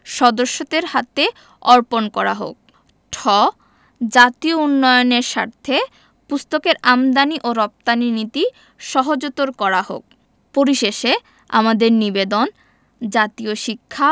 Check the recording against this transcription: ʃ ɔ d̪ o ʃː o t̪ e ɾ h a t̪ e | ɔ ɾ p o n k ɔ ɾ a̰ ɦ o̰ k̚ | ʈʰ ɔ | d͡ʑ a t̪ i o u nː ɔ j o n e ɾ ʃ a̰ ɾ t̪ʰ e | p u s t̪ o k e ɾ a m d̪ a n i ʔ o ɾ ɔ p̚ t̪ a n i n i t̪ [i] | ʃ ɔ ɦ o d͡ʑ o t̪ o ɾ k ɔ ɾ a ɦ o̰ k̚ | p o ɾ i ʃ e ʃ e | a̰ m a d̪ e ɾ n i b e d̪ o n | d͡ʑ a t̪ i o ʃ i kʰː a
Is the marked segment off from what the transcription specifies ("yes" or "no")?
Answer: no